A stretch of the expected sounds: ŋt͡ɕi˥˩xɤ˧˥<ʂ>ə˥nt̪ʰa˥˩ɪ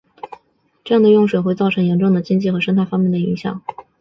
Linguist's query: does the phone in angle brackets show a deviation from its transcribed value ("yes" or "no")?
no